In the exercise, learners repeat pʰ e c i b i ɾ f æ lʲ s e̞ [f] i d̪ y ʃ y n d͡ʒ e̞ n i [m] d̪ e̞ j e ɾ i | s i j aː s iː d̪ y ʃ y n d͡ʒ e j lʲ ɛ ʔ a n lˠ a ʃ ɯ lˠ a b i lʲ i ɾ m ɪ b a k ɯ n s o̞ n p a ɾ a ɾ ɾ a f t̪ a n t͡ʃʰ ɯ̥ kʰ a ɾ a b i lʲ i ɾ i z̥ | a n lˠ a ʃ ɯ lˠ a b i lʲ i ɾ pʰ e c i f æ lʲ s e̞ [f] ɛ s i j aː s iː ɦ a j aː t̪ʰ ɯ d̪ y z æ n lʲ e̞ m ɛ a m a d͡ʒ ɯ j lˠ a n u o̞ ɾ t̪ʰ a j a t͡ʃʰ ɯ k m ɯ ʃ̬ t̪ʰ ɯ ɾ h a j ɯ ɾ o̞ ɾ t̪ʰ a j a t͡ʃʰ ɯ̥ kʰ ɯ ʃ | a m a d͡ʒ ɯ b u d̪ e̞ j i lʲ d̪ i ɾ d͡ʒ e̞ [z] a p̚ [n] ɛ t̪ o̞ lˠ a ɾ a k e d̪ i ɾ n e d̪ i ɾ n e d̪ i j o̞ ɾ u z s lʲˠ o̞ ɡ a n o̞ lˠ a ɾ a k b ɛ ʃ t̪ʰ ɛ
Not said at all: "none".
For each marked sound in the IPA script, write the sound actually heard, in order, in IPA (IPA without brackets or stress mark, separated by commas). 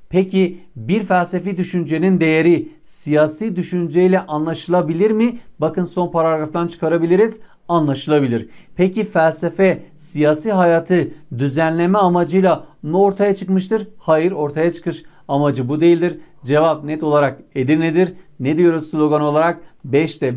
f, n, f, v, n